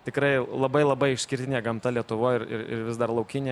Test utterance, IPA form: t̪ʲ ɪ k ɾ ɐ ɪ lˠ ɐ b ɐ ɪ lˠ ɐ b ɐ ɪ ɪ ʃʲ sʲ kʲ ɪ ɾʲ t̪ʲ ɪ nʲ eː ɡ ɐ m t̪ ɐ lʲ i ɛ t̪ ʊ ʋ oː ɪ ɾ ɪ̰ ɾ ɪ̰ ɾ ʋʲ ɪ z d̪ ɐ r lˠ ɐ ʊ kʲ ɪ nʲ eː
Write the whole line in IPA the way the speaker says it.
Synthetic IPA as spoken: t̪ʲ ɪ k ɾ ɐ ɪ lˠ ɐ b ɐ ɪ lˠ ɐ b ɐ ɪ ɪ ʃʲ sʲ kʲ ɪ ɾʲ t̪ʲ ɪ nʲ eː ɡ ɐ m t̪ ɐ lʲ i ɛ t̪ ʊ ʋ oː ɪ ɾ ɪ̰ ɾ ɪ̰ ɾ ʋʲ ɪ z d̪ ɐ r lˠ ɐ ʊ kʲ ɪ nʲ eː